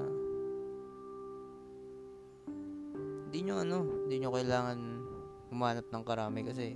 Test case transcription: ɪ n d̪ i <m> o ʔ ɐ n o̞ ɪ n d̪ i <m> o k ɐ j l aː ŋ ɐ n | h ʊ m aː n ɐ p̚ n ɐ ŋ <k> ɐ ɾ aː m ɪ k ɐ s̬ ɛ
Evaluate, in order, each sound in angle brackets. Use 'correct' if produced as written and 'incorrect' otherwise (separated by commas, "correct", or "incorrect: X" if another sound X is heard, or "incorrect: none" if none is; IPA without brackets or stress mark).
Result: incorrect: ɲ, incorrect: ɲ, correct